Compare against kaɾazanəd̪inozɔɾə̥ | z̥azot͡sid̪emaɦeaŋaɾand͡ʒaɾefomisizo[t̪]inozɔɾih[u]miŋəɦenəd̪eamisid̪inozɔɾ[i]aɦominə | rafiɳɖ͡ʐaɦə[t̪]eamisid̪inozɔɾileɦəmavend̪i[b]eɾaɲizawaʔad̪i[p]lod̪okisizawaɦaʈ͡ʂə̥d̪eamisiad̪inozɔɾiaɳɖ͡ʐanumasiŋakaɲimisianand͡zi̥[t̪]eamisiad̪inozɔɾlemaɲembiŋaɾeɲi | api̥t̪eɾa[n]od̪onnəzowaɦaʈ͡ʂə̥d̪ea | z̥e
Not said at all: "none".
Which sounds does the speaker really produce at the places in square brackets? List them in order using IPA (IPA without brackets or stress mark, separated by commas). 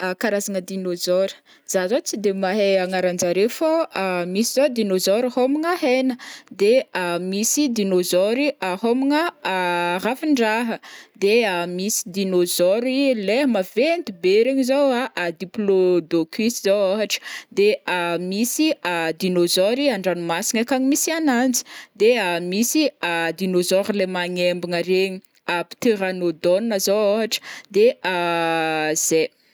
d̪, o, i, d̪, b, p, d̪, n